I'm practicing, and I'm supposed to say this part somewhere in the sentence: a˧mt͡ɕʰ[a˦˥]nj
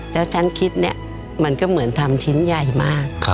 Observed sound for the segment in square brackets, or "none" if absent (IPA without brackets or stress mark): i˦˥